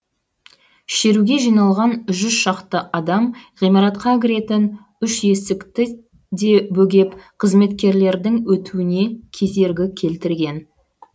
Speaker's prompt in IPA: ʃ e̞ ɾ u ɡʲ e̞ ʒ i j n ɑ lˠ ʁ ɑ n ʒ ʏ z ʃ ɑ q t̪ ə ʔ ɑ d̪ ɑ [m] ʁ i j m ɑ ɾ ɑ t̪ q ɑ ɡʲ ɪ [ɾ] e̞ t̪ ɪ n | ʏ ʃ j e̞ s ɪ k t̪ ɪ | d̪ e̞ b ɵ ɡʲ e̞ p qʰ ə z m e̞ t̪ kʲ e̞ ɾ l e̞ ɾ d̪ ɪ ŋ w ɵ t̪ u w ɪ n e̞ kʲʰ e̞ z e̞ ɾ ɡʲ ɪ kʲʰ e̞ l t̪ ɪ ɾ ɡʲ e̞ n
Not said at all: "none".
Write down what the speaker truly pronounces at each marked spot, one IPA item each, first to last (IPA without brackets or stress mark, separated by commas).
m, ɾ